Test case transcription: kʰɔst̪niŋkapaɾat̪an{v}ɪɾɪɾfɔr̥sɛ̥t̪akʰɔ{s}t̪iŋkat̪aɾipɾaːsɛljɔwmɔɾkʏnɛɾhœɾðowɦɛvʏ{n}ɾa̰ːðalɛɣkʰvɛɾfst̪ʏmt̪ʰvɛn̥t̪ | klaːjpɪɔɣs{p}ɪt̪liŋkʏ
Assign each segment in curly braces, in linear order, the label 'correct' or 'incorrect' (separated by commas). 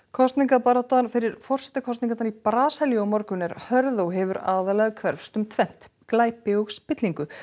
incorrect, correct, incorrect, correct